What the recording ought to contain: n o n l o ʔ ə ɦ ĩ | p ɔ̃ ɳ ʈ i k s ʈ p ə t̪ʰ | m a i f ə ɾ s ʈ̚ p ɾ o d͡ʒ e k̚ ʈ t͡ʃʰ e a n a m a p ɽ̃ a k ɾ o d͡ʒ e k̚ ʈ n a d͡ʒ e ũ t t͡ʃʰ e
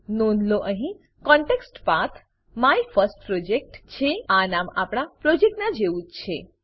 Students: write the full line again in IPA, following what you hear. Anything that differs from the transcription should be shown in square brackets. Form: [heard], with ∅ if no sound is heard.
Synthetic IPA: n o n l o ʔ ə ɦ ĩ | [k] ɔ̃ ɳ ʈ [e] k s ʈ p [a] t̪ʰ | m a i f ə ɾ s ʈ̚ p ɾ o d͡ʒ e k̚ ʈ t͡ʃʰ e a n a m a p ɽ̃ a [p] ɾ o d͡ʒ e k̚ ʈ n a d͡ʒ e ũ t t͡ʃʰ e